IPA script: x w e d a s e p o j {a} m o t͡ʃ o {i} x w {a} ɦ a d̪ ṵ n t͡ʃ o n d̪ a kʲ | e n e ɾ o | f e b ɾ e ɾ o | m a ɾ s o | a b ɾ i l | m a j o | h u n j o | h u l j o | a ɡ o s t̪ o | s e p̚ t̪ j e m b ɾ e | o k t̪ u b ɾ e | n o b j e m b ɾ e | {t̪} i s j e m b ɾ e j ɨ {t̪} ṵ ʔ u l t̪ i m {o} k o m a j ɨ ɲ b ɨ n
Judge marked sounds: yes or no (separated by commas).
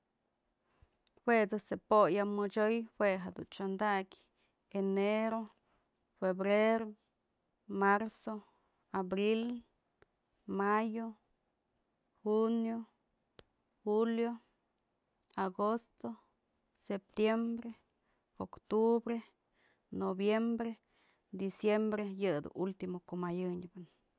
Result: yes, no, no, no, no, yes